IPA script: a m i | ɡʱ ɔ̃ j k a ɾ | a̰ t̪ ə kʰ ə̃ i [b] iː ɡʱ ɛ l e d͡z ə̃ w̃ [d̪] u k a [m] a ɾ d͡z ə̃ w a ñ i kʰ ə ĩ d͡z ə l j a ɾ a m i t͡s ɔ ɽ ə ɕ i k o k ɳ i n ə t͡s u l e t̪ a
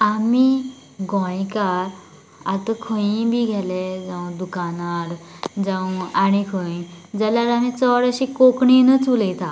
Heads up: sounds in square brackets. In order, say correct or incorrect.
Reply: correct, correct, incorrect

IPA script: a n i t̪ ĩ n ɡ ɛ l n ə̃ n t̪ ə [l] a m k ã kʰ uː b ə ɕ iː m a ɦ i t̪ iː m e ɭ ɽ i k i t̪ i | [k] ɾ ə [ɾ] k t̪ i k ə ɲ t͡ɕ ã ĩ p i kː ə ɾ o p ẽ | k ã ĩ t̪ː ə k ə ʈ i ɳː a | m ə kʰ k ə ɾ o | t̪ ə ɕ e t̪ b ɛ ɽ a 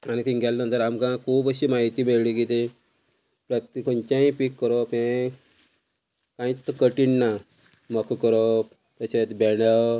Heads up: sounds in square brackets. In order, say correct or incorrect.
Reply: incorrect, incorrect, incorrect

